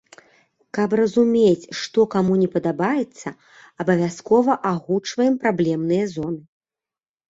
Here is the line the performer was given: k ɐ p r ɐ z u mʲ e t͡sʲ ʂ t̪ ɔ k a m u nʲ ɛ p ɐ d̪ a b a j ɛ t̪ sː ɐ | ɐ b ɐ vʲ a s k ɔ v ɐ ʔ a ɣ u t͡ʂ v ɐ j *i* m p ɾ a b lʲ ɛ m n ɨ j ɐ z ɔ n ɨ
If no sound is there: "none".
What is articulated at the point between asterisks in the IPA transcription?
ɛ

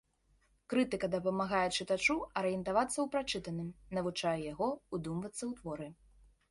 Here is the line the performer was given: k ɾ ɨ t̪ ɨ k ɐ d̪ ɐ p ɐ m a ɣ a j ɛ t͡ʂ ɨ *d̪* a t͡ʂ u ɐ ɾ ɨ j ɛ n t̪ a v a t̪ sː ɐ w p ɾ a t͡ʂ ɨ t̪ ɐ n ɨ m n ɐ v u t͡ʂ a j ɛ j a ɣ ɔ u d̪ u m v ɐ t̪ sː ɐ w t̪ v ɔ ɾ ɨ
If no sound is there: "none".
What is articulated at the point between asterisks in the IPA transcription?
t̪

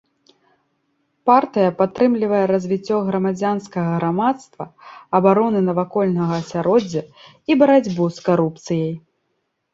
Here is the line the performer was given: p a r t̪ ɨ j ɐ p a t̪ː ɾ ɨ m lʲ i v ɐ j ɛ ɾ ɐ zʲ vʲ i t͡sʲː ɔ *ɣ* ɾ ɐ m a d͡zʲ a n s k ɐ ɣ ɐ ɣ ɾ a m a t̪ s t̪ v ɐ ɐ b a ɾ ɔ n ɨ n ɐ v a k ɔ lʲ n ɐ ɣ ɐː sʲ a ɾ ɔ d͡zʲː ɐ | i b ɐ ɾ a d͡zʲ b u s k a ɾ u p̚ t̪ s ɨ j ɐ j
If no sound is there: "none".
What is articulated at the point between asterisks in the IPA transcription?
ɣ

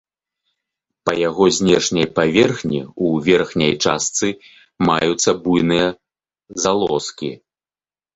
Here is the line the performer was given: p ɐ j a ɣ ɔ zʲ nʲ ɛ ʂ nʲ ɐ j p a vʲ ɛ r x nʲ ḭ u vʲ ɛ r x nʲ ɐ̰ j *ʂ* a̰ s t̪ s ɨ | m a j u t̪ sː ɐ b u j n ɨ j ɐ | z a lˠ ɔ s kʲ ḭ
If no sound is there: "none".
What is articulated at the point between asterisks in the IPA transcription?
t͡ʂ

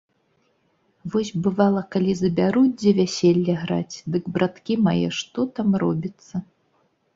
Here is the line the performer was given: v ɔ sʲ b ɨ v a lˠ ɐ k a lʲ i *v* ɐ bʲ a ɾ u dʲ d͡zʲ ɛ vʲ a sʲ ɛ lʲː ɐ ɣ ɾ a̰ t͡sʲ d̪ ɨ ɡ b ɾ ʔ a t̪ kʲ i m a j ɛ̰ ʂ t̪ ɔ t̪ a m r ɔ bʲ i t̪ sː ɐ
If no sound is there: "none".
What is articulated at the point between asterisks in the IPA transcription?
z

